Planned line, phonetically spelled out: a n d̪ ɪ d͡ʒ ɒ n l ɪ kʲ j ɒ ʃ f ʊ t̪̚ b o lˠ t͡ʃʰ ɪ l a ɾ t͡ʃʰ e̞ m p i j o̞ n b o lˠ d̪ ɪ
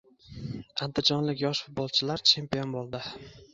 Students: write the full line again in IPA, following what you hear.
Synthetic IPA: a n d̪ ɪ d͡ʒ ɒ n l ɪ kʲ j ɒ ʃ f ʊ t̪̚ b ɒ lˠ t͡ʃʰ ɪ l a ɾ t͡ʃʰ e̞ m p i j o̞ n b o lˠ d̪ ɪ